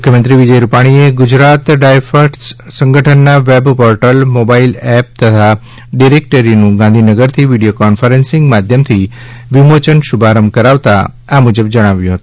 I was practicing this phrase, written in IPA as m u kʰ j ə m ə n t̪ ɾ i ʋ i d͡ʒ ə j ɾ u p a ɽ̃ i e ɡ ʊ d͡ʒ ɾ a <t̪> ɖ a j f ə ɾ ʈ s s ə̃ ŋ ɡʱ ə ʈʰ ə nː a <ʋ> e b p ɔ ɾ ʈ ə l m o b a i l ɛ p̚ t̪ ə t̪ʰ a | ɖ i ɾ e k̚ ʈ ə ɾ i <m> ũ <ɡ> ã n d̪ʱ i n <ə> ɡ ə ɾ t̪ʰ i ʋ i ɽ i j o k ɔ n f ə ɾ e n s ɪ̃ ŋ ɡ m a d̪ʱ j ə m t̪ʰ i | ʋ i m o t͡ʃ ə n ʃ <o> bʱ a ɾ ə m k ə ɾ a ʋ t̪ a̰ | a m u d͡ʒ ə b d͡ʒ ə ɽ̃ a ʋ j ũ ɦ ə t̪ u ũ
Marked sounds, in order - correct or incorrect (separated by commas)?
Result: correct, correct, incorrect, correct, correct, incorrect